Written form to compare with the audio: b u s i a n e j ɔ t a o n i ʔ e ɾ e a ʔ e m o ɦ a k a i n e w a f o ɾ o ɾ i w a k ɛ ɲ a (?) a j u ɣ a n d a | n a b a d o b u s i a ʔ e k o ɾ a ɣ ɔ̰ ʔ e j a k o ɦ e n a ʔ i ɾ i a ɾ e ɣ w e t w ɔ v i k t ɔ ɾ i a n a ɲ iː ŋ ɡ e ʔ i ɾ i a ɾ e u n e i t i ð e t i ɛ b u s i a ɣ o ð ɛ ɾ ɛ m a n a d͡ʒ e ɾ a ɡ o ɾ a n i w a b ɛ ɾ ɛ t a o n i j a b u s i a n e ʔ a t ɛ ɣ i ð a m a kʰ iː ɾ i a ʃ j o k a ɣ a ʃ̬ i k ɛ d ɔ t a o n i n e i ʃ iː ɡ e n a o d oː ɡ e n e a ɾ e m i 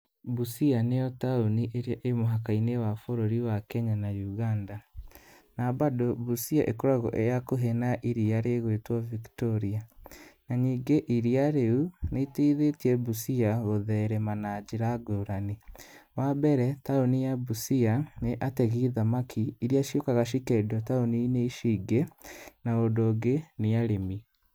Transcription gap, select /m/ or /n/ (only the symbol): n